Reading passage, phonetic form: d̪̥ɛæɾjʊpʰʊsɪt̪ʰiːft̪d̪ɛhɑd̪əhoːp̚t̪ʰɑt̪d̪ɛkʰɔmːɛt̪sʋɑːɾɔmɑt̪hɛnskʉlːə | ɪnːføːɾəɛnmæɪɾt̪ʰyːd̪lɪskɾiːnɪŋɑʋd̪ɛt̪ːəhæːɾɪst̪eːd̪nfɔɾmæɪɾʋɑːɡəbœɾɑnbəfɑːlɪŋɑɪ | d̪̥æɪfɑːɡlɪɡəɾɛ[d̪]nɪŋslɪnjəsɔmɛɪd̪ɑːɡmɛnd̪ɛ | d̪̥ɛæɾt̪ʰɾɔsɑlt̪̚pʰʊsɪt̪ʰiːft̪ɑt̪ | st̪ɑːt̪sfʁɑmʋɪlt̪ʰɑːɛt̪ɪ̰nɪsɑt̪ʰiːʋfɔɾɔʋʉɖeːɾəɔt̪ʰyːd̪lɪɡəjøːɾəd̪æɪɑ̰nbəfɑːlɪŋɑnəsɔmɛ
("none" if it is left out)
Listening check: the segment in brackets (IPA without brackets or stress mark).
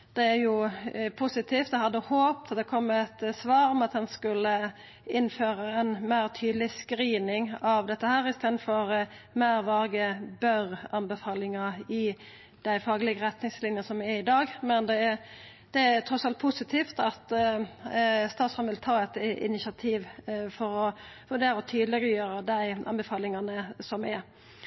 t̪